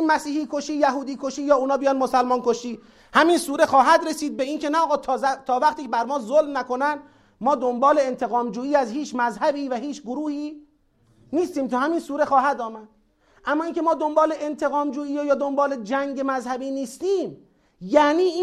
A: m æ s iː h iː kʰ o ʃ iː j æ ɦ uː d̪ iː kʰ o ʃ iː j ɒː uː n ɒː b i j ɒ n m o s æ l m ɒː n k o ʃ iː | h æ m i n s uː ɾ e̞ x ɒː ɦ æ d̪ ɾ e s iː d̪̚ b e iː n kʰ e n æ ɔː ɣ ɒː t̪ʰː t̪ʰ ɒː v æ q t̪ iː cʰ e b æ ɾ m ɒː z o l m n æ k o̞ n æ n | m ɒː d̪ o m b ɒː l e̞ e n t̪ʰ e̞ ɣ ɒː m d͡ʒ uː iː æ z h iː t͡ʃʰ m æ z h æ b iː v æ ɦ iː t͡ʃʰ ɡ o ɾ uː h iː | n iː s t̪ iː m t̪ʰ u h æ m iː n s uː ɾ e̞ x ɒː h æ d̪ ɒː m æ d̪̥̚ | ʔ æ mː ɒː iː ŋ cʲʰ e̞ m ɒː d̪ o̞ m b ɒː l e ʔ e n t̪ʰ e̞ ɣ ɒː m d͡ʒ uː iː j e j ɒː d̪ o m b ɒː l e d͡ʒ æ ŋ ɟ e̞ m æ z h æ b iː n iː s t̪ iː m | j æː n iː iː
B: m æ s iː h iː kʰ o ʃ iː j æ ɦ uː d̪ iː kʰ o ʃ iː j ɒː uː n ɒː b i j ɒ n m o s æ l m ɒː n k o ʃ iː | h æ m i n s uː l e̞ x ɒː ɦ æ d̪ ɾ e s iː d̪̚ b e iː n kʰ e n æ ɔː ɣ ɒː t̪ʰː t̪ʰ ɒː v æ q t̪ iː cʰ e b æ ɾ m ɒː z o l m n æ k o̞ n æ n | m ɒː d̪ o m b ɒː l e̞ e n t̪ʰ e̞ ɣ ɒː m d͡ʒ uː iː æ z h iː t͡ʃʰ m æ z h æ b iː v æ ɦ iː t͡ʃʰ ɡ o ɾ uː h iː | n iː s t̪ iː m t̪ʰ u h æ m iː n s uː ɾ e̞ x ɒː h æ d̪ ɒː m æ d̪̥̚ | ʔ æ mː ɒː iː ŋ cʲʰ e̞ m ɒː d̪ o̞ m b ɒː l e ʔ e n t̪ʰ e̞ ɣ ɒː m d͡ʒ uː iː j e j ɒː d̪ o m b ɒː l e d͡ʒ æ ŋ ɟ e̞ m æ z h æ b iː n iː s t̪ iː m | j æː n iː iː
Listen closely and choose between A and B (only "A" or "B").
A